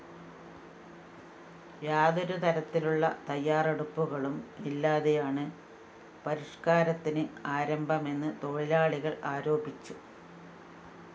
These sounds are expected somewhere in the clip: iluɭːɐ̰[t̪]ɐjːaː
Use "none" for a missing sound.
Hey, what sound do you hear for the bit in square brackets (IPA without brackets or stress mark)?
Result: t̪